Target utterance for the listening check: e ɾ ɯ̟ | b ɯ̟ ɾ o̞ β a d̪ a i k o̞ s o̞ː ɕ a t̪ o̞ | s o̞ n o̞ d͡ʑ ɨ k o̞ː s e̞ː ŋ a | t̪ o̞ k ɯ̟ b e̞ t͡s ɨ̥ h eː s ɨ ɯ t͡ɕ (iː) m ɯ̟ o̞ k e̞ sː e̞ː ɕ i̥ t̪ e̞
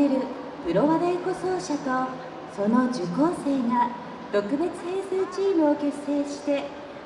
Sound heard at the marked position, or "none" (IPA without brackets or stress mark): iː